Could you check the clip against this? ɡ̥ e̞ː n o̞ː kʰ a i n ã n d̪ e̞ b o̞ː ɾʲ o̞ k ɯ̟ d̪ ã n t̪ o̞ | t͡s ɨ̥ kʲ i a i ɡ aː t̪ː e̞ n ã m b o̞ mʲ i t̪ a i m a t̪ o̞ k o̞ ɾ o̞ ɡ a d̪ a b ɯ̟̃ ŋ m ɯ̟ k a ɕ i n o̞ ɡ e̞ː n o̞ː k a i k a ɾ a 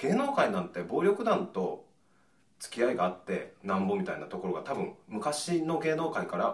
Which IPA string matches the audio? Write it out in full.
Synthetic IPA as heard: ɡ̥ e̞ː n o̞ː k a i n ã n t̪ e̞ b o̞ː ɾʲ o̞ k ɯ̟ d̪ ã n t̪ o̞ | t͡s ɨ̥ kʲ i a i ɡ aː t̪ː e̞ n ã m b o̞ mʲ i t̪ a i n a t̪ o̞ k o̞ ɾ o̞ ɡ a t̪ a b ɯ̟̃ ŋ m ɯ̟ k a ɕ i n o̞ ɡ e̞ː n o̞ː k a i k a ɾ a